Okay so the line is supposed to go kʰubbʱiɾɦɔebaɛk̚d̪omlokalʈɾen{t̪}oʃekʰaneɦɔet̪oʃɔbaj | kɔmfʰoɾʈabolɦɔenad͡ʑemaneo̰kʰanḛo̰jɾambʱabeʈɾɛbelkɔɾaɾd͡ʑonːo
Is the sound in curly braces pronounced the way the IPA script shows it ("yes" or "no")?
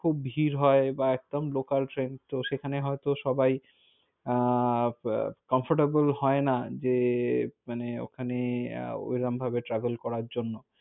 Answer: yes